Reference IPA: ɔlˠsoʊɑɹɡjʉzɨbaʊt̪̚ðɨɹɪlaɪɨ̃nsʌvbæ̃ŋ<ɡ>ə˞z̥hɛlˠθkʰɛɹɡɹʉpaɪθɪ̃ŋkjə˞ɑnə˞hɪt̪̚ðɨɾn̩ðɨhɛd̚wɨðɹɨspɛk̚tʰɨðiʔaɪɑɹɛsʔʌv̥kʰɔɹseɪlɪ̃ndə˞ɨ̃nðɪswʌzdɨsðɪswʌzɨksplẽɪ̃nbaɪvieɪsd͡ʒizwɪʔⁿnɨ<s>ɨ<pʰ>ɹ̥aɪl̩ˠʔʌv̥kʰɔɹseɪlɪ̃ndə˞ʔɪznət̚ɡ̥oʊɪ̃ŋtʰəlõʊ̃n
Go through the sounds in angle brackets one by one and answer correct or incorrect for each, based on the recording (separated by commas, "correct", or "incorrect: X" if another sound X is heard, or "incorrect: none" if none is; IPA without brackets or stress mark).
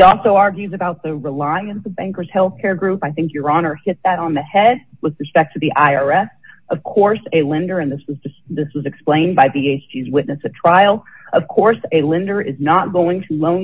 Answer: incorrect: k, correct, incorrect: tʰ